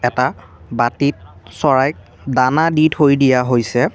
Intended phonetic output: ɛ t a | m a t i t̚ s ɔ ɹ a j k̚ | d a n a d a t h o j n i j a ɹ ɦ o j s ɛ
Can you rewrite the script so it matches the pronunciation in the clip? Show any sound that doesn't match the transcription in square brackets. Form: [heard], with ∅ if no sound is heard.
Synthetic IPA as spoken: ɛ t a | [b] a t i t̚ s ɔ ɹ a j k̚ | d a n a d [i] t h o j [d] i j a [∅] ɦ o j s ɛ